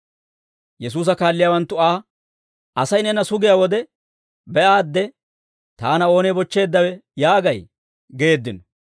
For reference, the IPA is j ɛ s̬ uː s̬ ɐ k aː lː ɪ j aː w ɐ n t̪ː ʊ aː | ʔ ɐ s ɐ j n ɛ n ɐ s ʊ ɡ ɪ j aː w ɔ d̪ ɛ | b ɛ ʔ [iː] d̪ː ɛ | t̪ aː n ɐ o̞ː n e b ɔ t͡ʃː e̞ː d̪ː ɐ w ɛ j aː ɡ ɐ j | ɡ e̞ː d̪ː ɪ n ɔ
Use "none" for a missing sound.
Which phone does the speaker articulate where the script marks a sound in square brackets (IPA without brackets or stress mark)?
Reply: aː